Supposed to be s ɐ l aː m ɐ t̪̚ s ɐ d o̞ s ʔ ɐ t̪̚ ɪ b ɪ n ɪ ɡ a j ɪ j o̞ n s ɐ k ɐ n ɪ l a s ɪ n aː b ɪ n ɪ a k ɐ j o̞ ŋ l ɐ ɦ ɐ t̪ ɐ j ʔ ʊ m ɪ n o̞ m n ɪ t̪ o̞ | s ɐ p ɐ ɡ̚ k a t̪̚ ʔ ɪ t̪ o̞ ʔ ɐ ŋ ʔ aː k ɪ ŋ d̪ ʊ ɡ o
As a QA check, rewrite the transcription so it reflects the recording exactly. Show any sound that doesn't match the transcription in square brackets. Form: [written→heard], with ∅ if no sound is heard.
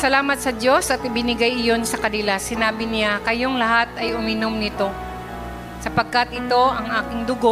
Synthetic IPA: s ɐ l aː m ɐ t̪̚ s ɐ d o̞ s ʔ ɐ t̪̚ ɪ b ɪ n ɪ ɡ a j ɪ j o̞ n s ɐ k ɐ n ɪ l a s ɪ n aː b ɪ n ɪ a k ɐ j o̞ ŋ l ɐ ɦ [ɐ→a] t̪ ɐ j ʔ ʊ m ɪ n o̞ m n ɪ t̪ o̞ | s ɐ p ɐ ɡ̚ k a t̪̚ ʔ ɪ t̪ o̞ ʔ ɐ ŋ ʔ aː k ɪ ŋ d̪ ʊ ɡ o